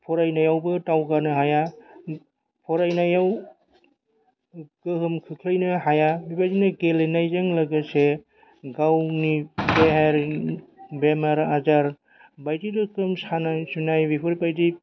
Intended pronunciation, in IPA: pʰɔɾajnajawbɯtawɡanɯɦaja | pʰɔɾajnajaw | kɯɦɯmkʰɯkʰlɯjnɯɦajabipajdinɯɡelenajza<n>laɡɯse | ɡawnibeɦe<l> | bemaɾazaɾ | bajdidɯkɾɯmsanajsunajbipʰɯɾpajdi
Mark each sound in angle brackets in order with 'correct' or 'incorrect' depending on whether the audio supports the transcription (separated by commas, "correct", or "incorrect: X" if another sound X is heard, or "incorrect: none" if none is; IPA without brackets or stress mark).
incorrect: ŋ, incorrect: ɾ